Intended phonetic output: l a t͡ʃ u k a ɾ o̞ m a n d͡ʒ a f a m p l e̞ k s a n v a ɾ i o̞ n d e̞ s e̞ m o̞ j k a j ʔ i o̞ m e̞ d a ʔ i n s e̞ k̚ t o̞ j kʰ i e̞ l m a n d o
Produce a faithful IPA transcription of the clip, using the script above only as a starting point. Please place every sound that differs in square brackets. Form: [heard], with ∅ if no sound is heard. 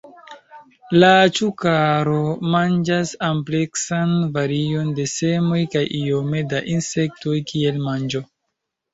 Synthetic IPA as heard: l a t͡ʃ u k a ɾ o̞ m a n d͡ʒ a [s] a m p l e̞ k s a n v a ɾ i o̞ n d e̞ s e̞ m o̞ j k a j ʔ i o̞ m e̞ d a ʔ i n s e̞ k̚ t o̞ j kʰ i e̞ l m a n [d͡ʒ] o